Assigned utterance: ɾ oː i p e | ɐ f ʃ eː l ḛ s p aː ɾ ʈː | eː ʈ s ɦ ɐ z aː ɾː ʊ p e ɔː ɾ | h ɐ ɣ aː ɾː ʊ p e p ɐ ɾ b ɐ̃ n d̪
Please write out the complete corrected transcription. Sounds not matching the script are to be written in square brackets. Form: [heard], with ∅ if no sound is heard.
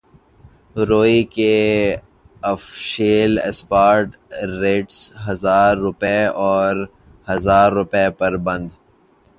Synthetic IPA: ɾ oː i [k] e | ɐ f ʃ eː l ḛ s p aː ɾ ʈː | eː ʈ s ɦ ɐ z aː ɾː ʊ p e ɔː ɾ | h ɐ [z] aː ɾː ʊ p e p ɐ ɾ b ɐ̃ n d̪